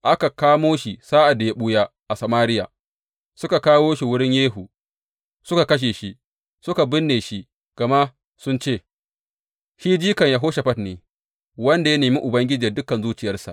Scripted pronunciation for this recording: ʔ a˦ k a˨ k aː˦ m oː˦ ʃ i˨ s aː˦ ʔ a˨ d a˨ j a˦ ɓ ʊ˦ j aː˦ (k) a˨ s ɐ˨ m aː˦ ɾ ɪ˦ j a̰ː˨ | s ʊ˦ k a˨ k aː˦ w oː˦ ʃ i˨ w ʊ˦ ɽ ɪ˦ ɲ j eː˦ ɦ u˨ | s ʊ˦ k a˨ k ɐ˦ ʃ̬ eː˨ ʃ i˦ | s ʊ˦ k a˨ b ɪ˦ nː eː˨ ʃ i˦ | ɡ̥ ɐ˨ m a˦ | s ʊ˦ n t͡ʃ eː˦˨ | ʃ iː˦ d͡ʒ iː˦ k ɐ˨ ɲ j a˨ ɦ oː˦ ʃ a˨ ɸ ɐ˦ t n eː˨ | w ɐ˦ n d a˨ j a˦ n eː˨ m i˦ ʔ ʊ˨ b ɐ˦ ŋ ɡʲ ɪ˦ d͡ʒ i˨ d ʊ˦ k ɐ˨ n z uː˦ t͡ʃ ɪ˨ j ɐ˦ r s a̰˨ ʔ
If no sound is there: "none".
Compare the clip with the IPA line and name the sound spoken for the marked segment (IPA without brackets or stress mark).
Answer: ʔ